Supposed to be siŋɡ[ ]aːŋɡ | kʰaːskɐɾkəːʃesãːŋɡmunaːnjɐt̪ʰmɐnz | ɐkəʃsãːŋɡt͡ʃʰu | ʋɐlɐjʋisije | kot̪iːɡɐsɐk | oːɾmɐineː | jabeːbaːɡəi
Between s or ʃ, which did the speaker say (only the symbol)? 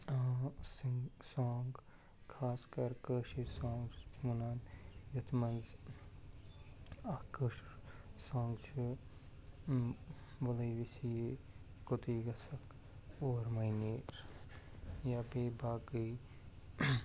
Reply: s